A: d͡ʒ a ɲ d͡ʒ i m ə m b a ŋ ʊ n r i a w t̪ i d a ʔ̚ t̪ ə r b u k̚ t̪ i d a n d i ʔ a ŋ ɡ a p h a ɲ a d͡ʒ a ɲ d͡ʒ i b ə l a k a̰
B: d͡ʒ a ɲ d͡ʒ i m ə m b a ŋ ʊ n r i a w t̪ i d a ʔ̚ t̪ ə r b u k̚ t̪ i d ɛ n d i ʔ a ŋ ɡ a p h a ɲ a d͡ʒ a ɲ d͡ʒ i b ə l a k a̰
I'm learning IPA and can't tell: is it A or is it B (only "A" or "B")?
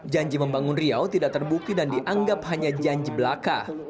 A